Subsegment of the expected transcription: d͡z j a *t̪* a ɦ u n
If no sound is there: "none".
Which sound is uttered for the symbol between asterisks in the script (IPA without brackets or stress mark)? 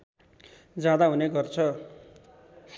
d̪